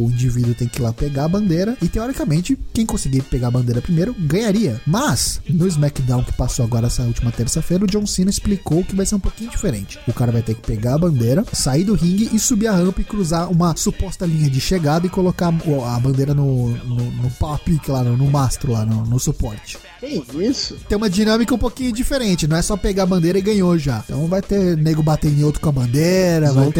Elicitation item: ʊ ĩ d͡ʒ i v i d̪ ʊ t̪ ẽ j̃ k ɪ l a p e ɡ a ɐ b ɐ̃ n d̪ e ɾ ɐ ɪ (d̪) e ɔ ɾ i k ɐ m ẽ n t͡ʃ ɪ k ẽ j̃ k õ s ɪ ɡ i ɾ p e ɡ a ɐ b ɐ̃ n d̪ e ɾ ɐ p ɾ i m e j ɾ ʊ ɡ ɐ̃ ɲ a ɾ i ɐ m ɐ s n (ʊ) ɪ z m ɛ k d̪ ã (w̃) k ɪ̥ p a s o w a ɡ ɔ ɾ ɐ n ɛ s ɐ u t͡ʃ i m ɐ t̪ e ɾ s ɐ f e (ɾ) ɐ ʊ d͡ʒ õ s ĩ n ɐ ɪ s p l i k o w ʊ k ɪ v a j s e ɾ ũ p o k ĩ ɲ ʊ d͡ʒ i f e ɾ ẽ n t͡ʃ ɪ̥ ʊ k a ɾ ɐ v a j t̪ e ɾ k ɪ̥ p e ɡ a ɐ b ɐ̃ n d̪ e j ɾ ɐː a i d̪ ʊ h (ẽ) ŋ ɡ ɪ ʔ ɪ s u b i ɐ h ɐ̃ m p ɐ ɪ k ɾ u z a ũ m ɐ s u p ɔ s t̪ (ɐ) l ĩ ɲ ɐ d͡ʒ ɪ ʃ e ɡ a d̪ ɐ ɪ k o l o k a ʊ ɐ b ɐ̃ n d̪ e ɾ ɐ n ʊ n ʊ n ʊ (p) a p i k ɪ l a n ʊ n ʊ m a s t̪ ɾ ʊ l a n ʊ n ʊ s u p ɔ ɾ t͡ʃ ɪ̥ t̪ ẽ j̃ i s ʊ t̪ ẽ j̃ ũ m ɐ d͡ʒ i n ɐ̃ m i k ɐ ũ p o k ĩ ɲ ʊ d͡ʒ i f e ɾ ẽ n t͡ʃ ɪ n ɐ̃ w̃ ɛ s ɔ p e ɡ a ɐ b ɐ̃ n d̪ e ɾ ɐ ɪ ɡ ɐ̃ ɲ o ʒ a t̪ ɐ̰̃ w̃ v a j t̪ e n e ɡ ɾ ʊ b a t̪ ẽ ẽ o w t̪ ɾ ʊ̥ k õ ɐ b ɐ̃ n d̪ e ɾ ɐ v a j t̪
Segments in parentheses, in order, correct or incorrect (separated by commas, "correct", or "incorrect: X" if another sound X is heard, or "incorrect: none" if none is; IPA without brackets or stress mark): incorrect: t̪, correct, correct, correct, incorrect: ĩ, correct, correct